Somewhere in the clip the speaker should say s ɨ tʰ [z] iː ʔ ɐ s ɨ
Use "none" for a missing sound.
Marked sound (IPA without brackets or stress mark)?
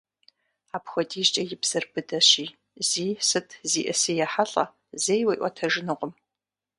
z